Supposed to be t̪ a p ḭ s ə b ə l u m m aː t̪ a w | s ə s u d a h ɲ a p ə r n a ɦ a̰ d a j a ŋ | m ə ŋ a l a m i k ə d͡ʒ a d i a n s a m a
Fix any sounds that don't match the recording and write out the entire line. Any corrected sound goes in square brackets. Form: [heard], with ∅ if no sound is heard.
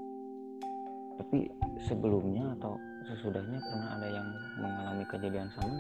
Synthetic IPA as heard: t̪ a p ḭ s ə b ə l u m [ɲ] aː t̪ a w | s ə s u d a h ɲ a p ə r n a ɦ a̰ d a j a ŋ | m ə ŋ a l a m i k ə d͡ʒ a d i a n s a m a